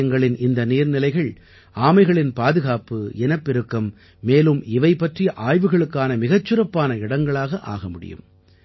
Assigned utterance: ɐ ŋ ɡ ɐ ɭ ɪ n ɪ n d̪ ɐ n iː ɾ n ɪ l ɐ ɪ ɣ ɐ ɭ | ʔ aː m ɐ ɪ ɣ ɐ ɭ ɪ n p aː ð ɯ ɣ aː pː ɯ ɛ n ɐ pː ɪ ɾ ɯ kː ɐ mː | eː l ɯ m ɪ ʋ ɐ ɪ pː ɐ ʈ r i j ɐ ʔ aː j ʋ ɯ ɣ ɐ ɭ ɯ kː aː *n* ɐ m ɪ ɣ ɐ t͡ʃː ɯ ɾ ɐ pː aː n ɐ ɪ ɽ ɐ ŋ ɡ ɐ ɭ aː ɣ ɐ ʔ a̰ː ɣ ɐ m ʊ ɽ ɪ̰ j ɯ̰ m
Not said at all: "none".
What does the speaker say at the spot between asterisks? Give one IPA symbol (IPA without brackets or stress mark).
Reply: n